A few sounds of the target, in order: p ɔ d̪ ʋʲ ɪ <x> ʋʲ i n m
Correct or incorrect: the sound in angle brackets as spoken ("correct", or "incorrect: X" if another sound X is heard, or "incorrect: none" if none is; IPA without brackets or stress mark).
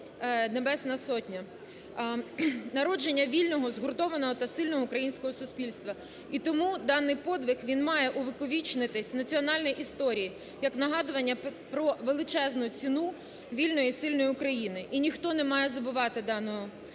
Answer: correct